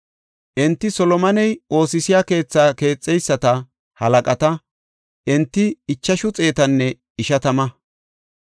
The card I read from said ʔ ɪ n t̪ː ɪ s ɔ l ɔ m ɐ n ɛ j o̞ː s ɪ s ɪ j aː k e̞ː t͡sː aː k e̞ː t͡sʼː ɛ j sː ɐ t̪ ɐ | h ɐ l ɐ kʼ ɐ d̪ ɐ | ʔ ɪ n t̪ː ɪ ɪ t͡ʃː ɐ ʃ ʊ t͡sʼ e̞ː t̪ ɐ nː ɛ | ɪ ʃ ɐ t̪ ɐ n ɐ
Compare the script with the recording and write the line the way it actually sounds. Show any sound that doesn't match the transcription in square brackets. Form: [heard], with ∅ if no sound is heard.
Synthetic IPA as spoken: ʔ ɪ n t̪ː ɪ s ɔ l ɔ m ɐ n ɛ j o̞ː s ɪ s ɪ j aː k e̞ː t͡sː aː k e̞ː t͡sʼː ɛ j sː ɐ t̪ ɐ | h ɐ l ɐ kʼ ɐ [t̪] ɐ | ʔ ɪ n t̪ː ɪ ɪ t͡ʃː ɐ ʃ ʊ t͡sʼ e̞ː t̪ ɐ nː ɛ | ɪ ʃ ɐ t̪ ɐ [m] ɐ